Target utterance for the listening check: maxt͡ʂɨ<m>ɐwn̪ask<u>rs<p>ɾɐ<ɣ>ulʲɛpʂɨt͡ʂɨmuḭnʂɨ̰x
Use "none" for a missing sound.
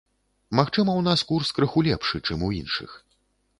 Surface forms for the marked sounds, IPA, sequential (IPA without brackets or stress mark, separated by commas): m, u, k, x